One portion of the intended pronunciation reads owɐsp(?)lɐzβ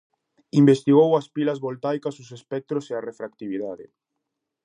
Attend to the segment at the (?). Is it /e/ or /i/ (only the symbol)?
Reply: i